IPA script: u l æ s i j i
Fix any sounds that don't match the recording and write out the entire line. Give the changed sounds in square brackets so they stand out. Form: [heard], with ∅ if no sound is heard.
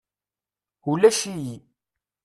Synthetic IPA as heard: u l æ [ʃ] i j i